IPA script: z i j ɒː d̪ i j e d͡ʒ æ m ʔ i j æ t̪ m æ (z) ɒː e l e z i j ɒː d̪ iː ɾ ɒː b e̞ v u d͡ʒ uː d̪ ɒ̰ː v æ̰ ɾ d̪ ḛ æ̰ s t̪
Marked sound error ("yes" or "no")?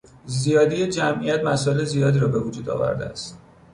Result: yes